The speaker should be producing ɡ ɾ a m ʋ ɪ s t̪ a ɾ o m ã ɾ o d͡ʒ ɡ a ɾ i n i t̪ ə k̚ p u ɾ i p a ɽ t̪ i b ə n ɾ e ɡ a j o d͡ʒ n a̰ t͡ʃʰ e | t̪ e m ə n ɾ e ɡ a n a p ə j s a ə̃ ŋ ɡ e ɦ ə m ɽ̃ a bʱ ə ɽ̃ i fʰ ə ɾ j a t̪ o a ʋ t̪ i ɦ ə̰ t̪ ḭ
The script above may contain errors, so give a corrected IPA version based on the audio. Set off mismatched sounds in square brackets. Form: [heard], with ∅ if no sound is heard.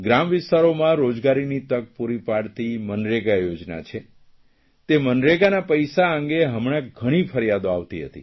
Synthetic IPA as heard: ɡ ɾ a m ʋ ɪ s t̪ a ɾ o m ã ɾ o d͡ʒ ɡ a ɾ i n i t̪ ə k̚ p u ɾ i p a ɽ t̪ i [m] ə n ɾ e ɡ a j o d͡ʒ n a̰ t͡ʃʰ e | t̪ e m ə n ɾ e ɡ a n a p ə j s a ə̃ ŋ ɡ e ɦ ə m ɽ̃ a [ɡʱ] ə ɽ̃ i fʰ ə ɾ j a [d̪] o a ʋ t̪ i ɦ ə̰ t̪ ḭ

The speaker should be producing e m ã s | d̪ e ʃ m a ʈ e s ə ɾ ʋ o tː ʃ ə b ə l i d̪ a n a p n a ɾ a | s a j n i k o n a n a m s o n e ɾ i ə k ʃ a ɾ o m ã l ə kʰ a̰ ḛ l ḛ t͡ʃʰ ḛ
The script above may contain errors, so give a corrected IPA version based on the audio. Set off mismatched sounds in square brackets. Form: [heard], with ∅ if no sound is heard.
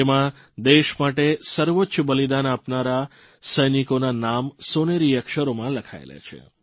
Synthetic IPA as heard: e m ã [∅] | d̪ e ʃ m a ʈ e s ə ɾ ʋ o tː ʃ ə b ə l i d̪ a n a p n a ɾ a | s [ə] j n i k o n a n a m s o n e ɾ i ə k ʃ [ə] ɾ o m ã l ə kʰ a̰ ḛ l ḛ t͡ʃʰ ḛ

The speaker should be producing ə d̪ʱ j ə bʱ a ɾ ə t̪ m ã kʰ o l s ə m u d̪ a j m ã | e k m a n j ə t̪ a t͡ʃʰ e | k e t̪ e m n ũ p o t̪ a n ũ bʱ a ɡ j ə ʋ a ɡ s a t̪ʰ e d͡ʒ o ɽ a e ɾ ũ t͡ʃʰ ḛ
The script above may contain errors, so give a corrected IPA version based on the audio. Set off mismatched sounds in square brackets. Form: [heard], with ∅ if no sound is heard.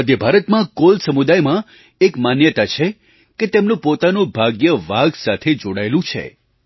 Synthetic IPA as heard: ə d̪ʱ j ə bʱ a ɾ ə t̪ m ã [k] o l s ə m u d̪ a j m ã | e k m a n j ə t̪ a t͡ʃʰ e | k e t̪ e m n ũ p o t̪ a n ũ bʱ a ɡ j ə ʋ a ɡ s a t̪ʰ e d͡ʒ o ɽ a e [l] ũ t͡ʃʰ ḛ

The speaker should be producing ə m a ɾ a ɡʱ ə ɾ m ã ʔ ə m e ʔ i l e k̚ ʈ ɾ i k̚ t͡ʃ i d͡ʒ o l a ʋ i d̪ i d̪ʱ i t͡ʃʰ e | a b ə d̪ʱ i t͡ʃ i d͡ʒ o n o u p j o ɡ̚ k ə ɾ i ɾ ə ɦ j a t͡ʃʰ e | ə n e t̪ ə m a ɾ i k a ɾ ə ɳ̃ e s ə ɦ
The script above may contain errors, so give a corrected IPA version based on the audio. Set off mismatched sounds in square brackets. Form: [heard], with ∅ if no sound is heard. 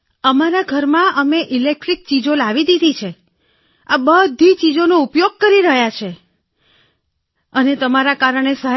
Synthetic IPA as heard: ə m a ɾ a ɡʱ ə ɾ m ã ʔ ə m e ʔ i l e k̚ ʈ ɾ i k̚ t͡ʃ i d͡ʒ o l a ʋ i d̪ i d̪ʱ i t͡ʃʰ e | a b ə d̪ʱ i t͡ʃ i d͡ʒ o n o u p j o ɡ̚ k ə ɾ i ɾ ə ɦ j a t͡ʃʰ e | ə n e t̪ ə m a ɾ [a] k a ɾ ə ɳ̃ e s ə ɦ

